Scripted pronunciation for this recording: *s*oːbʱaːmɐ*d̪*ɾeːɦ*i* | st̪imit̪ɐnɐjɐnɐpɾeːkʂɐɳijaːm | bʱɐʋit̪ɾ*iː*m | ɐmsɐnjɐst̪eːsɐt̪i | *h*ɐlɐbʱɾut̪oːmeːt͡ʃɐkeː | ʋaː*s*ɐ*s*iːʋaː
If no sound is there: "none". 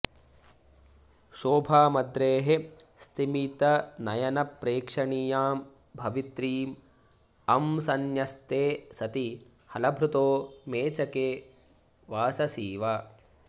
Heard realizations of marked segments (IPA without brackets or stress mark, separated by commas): ʃ, d̪, e, iː, h, s, s